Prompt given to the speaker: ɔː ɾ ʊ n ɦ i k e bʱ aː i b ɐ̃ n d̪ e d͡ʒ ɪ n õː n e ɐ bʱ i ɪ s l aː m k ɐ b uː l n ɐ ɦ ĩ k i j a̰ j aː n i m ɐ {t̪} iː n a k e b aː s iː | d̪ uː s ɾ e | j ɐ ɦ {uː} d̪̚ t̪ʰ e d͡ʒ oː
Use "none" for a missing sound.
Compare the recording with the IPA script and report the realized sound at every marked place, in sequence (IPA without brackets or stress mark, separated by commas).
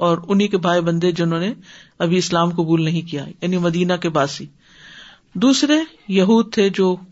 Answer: d̪, uː